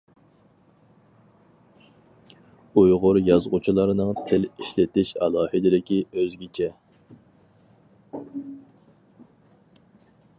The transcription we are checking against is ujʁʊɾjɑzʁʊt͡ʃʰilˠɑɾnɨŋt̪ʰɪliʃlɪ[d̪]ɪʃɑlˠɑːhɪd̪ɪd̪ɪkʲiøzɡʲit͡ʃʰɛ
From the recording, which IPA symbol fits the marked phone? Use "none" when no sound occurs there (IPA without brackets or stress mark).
t̪